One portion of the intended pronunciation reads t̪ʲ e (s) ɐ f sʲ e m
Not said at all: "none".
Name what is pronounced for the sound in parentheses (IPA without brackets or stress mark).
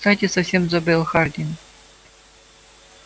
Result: s